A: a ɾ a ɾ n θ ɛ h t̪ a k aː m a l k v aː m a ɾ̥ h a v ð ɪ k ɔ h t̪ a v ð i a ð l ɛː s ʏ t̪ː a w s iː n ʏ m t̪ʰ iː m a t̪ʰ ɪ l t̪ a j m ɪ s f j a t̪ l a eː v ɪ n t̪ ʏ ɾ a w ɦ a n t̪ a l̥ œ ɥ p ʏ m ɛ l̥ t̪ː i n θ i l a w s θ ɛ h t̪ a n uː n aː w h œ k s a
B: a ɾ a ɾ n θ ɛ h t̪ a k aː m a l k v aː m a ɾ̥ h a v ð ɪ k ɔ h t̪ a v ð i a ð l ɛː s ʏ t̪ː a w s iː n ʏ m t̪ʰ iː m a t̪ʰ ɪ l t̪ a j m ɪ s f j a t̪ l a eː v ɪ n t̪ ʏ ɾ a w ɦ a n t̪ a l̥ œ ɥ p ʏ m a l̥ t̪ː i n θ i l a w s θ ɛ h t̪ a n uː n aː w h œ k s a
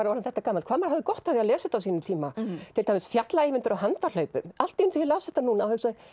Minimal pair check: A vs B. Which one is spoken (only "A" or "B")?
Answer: B